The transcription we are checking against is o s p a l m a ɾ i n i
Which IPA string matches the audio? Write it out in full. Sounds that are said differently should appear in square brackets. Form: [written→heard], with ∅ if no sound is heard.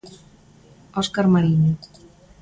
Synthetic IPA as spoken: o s [p→k] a [l→ɾ] m a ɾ i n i

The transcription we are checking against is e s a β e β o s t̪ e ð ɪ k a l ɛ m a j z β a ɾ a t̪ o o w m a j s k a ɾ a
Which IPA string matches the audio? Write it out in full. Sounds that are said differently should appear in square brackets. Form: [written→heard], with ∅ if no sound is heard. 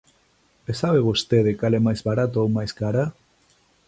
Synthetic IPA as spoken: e s a β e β o s t̪ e ð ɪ k a l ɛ m a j z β a ɾ a t̪ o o w m a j s k a ɾ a

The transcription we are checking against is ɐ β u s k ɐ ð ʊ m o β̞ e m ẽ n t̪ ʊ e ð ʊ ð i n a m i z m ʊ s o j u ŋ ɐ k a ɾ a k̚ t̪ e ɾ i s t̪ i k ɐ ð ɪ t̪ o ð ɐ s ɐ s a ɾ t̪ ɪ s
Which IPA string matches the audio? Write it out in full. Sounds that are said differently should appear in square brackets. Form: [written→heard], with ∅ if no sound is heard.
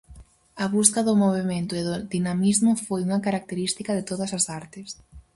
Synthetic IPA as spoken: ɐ β u s k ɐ ð ʊ m o β̞ e m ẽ n t̪ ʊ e ð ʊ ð i n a m i z m ʊ [s→f] o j u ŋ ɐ k a ɾ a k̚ t̪ e ɾ i s t̪ i k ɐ ð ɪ t̪ o ð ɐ s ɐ s a ɾ t̪ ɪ s

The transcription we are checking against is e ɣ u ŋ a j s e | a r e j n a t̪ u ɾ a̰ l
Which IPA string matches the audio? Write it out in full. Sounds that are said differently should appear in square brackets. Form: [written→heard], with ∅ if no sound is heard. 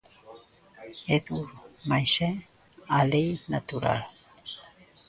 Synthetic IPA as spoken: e [ɣ→ð] u [ŋ→m] a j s e | a [r→l] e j n a t̪ u ɾ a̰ l

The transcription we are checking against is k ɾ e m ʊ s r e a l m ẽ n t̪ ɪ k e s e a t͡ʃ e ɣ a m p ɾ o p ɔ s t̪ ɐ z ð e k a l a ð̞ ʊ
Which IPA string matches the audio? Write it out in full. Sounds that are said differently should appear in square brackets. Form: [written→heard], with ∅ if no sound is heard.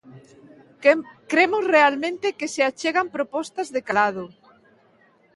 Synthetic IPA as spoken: k ɾ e m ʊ s r e a l m ẽ n t̪ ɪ k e s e a t͡ʃ e ɣ a m p ɾ o p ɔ s t̪ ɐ z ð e k a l a ð̞ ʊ

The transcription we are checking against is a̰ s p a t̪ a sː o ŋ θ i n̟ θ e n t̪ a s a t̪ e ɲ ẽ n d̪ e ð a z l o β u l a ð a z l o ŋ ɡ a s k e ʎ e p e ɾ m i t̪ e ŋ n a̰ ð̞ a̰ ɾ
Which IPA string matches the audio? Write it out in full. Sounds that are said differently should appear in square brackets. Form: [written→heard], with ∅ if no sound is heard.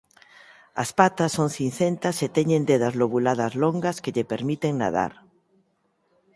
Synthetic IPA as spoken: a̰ s p a t̪ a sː o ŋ θ i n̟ θ e n t̪ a s [a→e] t̪ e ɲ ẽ n d̪ e ð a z l o β u l a ð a z l o ŋ ɡ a s k e ʎ e p e ɾ m i t̪ e ŋ n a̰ ð̞ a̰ ɾ

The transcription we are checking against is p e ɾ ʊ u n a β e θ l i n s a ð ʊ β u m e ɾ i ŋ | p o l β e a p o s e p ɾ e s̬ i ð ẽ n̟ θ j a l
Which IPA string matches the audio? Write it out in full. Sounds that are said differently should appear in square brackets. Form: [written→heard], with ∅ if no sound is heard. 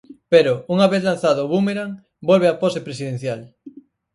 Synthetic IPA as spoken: p e ɾ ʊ u [n→ŋ] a β e θ l [i→a] n [s→θ] a ð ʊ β u m e ɾ [i→a] ŋ | [p→b] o l β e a p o s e p ɾ e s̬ i ð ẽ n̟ θ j a l

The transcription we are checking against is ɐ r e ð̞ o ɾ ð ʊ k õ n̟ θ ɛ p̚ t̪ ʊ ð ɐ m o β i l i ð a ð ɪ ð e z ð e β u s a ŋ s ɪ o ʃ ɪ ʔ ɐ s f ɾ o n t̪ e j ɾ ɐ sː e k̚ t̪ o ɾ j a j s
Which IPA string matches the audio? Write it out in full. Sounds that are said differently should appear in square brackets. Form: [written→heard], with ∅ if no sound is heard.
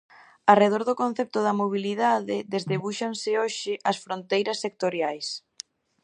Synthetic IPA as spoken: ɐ r e ð̞ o ɾ ð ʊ k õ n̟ θ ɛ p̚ t̪ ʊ ð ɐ m o β i l i ð a ð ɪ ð e z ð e β u [s→ʃ] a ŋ s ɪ o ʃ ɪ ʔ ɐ s f ɾ o n t̪ e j ɾ ɐ sː e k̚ t̪ o ɾ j a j s

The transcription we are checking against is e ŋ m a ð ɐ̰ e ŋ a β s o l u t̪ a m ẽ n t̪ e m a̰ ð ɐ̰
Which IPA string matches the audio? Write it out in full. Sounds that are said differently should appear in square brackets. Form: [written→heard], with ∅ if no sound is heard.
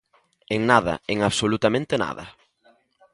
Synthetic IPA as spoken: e ŋ [m→n] a ð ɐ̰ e ŋ a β s o l u t̪ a m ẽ n t̪ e [m→n] a̰ ð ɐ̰

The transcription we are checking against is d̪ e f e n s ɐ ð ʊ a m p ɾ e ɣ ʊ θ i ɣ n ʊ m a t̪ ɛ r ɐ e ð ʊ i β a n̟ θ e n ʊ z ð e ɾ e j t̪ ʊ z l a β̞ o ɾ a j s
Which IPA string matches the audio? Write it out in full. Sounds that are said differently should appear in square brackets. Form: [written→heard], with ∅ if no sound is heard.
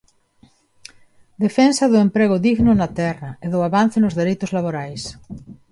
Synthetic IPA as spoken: d̪ e f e n s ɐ ð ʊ [a→e] m p ɾ e ɣ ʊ [θ→ð] i ɣ n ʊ [m→n] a t̪ ɛ r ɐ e ð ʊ [i→a] β a n̟ θ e n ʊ z ð e ɾ e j t̪ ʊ z l a β̞ o ɾ a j s

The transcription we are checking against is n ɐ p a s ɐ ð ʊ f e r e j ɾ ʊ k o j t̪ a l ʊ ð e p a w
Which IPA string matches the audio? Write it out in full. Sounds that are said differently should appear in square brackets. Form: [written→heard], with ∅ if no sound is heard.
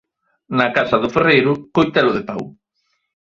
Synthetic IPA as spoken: n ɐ [p→k] a s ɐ ð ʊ f e r e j ɾ ʊ k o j t̪ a l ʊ ð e p a w

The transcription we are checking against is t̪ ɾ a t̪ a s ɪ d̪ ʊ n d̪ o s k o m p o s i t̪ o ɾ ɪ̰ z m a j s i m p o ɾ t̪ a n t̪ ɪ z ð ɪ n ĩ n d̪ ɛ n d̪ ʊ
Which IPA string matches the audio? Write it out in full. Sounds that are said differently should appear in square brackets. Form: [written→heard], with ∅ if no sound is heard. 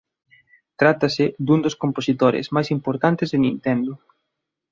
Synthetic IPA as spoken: t̪ ɾ a t̪ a s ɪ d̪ [ʊ→u] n d̪ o s k o m p o s i t̪ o ɾ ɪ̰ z m a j s i m p o ɾ t̪ a n t̪ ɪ z ð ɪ n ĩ n [d̪→t̪] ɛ n d̪ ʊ

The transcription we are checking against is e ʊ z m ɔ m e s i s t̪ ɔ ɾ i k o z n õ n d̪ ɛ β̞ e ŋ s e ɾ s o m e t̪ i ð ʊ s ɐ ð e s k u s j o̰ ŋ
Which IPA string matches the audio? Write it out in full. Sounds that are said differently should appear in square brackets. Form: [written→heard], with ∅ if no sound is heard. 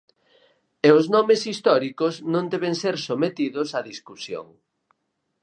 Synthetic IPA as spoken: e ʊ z [m→n] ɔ m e s i s t̪ ɔ ɾ i k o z n õ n d̪ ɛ β̞ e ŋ s e ɾ s o m e t̪ i ð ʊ s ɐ ð [e→i] s k u s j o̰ ŋ

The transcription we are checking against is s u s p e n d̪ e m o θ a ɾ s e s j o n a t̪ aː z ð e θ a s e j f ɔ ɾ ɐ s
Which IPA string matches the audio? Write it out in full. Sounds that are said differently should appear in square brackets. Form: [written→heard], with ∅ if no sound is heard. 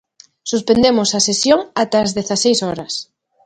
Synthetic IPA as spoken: s u s p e n d̪ e m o [θ→s] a [ɾ→∅] s e s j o [n→ŋ] a t̪ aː z ð e θ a s e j [f→s] ɔ ɾ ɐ s

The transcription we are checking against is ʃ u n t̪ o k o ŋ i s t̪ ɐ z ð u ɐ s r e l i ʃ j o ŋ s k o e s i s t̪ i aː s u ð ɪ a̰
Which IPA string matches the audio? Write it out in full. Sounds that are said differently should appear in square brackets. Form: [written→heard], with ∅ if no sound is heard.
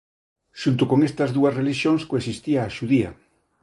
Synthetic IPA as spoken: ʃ u n t̪ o k o ŋ [i→e] s t̪ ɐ z ð u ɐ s r e l i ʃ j o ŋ s k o e s i s t̪ i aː [s→ʃ] u ð [ɪ→i] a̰

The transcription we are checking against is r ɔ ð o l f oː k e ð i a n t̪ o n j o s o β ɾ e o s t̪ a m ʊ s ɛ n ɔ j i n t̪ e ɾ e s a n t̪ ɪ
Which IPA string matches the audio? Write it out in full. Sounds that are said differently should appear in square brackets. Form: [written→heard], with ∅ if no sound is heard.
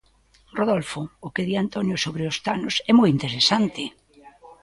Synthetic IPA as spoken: r [ɔ→o] ð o l f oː k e ð i a n t̪ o n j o s o β ɾ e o s t̪ a [m→n] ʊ s ɛ [n→m] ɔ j i n t̪ e ɾ e s a n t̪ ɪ

